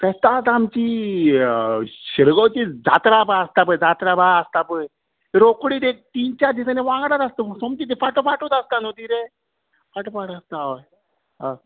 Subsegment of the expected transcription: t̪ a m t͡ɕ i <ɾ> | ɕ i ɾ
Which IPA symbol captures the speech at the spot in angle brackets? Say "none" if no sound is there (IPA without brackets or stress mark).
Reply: none